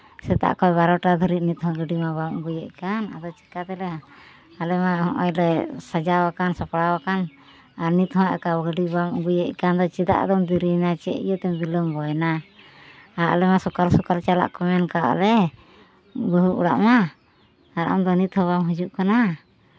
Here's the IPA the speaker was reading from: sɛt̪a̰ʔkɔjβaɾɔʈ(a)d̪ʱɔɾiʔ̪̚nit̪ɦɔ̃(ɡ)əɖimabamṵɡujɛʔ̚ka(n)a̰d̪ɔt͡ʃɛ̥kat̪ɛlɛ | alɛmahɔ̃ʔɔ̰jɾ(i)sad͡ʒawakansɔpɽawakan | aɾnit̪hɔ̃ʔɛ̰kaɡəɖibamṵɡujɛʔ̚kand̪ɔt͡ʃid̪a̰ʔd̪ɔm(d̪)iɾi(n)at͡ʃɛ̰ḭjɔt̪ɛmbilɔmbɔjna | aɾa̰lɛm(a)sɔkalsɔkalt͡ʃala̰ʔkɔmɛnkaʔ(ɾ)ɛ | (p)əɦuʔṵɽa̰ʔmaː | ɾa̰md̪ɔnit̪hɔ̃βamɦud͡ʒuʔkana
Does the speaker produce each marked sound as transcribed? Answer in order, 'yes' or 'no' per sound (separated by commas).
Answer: yes, yes, yes, no, yes, yes, yes, no, no